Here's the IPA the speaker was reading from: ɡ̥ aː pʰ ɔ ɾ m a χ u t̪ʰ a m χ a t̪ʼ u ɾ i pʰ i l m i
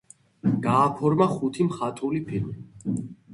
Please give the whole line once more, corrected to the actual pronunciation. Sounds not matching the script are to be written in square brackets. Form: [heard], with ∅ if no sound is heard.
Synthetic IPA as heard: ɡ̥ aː pʰ ɔ ɾ m a χ u t̪ʰ [i] m χ a t̪ʼ u [l] i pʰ i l m i